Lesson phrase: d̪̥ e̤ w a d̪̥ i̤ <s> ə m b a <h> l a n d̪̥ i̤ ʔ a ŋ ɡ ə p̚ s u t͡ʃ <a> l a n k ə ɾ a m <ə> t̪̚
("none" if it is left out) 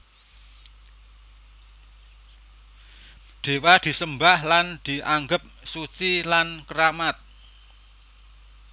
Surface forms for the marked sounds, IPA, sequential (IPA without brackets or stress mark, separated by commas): s, h, i, a